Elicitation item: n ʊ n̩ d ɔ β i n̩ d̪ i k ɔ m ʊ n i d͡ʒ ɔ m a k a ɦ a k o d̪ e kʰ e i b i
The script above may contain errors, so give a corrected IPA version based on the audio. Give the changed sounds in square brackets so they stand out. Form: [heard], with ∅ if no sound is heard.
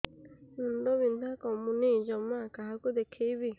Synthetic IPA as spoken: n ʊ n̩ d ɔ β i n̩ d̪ [a] k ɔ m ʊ n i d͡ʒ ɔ m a k a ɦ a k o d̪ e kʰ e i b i